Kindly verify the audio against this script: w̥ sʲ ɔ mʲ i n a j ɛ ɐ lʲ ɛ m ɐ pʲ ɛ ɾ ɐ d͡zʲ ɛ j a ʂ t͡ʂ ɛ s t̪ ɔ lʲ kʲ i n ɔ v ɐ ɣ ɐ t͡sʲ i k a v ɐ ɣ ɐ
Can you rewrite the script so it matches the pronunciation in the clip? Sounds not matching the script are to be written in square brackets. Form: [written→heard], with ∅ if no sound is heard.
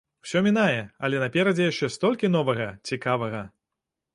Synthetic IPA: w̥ sʲ ɔ mʲ i n a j ɛ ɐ lʲ ɛ [m→n] ɐ pʲ ɛ ɾ ɐ d͡zʲ ɛ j a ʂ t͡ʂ ɛ s t̪ ɔ lʲ kʲ i n ɔ v ɐ ɣ ɐ t͡sʲ i k a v ɐ ɣ ɐ